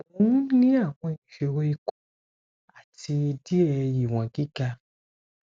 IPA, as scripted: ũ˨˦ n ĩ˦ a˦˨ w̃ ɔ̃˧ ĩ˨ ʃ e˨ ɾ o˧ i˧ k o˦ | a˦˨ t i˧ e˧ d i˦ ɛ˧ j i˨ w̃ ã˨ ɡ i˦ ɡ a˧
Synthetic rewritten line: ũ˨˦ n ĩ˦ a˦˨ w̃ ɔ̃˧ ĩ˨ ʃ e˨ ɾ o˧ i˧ k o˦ | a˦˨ t i˧ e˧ d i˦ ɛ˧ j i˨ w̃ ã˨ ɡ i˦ ɡ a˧